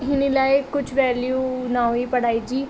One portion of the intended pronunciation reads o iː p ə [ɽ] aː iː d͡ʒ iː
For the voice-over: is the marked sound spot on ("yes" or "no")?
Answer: yes